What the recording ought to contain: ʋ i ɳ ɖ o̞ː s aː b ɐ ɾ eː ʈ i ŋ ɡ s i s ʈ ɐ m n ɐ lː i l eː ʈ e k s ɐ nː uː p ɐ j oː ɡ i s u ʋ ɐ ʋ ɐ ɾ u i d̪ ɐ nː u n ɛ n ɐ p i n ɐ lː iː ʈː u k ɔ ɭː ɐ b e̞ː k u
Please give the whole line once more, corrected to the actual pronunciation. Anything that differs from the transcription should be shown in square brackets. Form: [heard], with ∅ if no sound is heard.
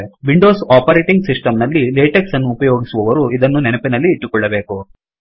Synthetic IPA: ʋ i ɳ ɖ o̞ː s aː [p] ɐ ɾ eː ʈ i ŋ ɡ s i s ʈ ɐ m n ɐ lː i l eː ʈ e k s ɐ nː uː p ɐ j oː ɡ i s u ʋ ɐ ʋ ɐ ɾ u i d̪ ɐ nː u n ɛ n ɐ p i n ɐ lː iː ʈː u k ɔ ɭː ɐ b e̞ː k u